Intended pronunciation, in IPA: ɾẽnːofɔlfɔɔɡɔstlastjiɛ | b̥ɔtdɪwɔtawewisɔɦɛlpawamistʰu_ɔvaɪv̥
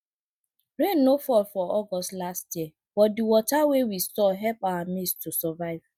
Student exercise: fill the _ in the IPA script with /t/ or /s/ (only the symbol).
s